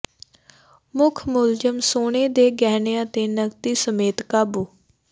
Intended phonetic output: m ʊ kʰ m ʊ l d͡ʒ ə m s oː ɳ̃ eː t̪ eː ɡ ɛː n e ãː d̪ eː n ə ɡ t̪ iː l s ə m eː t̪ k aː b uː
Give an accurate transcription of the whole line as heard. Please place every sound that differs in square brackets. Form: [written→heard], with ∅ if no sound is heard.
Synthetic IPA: m ʊ kʰ m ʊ l d͡ʒ ə m s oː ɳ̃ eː [t̪→d̪] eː ɡ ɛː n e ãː [d̪→t̪] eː n ə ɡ t̪ iː [l→∅] s ə m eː t̪ k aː b uː